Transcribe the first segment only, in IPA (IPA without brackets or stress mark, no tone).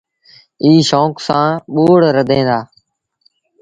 iː